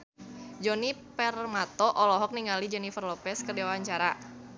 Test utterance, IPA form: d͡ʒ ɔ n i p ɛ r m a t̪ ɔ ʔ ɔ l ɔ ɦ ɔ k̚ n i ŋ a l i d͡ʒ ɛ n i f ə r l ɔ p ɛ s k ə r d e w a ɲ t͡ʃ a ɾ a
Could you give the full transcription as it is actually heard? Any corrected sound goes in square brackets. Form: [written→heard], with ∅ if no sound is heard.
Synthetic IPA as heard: d͡ʒ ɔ n i p ɛ r m a t̪ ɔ ʔ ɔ l ɔ ɦ ɔ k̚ n i ŋ a l i d͡ʒ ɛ n i f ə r l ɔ p ɛ s k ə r d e w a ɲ t͡ʃ a ɾ a